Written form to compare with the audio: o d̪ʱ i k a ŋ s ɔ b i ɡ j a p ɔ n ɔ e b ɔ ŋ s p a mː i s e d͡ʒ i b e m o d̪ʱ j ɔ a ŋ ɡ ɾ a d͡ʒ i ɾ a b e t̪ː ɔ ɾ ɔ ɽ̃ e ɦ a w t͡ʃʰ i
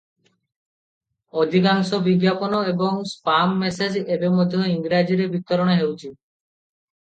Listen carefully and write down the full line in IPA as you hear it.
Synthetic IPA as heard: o d̪ʱ i k a ŋ s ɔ b i ɡ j a p ɔ n ɔ e b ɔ ŋ s p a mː e s e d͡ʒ e b e m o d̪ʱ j ɔ i ŋ ɡ ɾ a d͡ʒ i ɾ e b i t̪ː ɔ ɾ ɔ ɽ̃ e ɦ e w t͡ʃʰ i

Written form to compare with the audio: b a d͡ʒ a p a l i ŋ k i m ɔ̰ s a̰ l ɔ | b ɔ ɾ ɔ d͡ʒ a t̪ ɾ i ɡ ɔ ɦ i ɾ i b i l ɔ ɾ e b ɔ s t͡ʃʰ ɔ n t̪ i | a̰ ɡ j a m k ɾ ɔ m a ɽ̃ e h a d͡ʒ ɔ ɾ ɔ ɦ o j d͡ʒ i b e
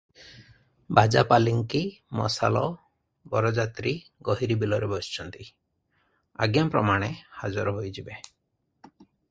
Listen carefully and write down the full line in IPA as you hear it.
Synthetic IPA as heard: b a d͡ʒ a p a l i ŋ k i m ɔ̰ s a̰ l ɔ | b ɔ ɾ ɔ d͡ʒ a t̪ ɾ i ɡ ɔ ɦ i ɾ i b i l ɔ ɾ e b ɔ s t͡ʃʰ ɔ n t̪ i | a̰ ɡ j a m p ɾ ɔ m a ɽ̃ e h a d͡ʒ ɔ ɾ ɔ ɦ o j d͡ʒ i b e

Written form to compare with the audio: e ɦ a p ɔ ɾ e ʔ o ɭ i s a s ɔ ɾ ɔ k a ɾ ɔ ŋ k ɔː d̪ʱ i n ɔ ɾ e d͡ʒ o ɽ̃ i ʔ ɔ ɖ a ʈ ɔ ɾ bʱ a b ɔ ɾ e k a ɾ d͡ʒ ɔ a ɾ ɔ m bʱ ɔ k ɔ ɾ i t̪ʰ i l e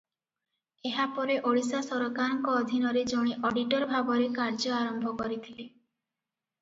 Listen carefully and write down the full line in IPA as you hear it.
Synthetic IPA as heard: e ɦ a p ɔ ɾ e ʔ o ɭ i s a s ɔ ɾ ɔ k a ɾ ɔ ŋ k ɔː d̪ʱ i n ɔ ɾ e d͡ʒ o ɽ̃ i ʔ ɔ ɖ i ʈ ɔ ɾ bʱ a b ɔ ɾ e k a ɾ d͡ʒ ɔ a ɾ ɔ m bʱ ɔ k ɔ ɾ i t̪ʰ i l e

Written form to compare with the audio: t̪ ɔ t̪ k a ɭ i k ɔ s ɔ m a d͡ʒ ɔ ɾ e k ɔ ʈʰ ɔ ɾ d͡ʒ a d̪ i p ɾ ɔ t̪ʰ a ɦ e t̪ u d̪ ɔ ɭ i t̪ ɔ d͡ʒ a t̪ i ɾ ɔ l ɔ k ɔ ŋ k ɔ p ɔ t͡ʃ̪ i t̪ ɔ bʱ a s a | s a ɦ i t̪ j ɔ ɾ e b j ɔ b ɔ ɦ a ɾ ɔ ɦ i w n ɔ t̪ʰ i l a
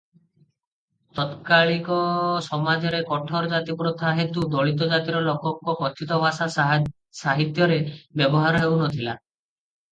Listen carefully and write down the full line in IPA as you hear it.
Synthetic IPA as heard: t̪ ɔ t̪ k a ɭ i k ɔ s ɔ m a d͡ʒ ɔ ɾ e k ɔ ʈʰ ɔ ɾ d͡ʒ a t̪ i p ɾ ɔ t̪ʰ a ɦ e t̪ u d̪ ɔ ɭ i t̪ ɔ d͡ʒ a t̪ i ɾ ɔ l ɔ k ɔ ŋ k ɔ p ɔ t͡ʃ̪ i t̪ ɔ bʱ a s a | s a ɦ i t̪ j ɔ ɾ e b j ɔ b ɔ ɦ a ɾ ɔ ɦ e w n ɔ t̪ʰ i l a

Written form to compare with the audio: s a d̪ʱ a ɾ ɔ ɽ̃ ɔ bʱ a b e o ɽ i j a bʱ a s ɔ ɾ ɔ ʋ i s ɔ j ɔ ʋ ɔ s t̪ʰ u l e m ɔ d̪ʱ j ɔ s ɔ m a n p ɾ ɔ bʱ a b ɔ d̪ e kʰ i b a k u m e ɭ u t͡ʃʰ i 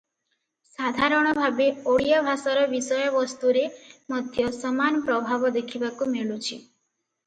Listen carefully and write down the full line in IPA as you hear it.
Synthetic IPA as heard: s a d̪ʱ a ɾ ɔ ɽ̃ ɔ bʱ a b e o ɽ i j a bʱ a s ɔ ɾ ɔ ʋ i s ɔ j ɔ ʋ ɔ s t̪ u ɾ e m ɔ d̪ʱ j ɔ s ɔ m a n p ɾ ɔ bʱ a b ɔ d̪ e kʰ i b a k u m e ɭ u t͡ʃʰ i

